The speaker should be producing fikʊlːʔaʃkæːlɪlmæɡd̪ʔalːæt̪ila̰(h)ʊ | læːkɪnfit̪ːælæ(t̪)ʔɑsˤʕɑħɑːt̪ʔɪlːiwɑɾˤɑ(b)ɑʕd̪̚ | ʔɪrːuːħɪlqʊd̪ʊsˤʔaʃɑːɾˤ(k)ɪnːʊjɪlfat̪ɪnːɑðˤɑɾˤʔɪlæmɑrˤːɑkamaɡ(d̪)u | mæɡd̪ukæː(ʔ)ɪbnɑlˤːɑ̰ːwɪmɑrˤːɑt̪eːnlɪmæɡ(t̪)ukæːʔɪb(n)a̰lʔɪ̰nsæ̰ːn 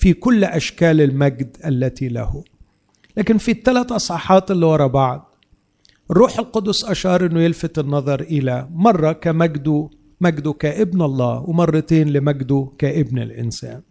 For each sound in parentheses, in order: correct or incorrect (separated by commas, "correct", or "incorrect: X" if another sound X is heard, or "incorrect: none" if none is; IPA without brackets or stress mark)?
correct, correct, correct, incorrect: ʔ, correct, correct, incorrect: d̪, correct